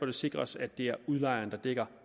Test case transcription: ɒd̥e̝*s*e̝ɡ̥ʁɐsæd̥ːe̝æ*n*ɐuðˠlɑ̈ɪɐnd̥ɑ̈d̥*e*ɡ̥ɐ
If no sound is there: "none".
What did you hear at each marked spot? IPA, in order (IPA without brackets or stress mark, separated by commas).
s, none, e